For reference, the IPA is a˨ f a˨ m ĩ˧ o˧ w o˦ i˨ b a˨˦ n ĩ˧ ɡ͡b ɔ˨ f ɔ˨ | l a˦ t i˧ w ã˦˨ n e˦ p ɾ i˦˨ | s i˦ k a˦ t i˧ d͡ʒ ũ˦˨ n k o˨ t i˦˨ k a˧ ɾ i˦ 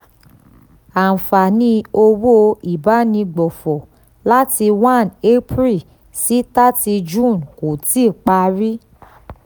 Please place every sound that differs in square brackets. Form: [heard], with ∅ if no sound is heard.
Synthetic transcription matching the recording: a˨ f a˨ [n] ĩ˧ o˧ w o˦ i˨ b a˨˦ n ĩ˧ ɡ͡b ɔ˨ f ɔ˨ | l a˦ t i˧ w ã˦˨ n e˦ p ɾ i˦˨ | s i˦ [t] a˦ t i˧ d͡ʒ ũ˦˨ n k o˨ t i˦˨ [k͡p] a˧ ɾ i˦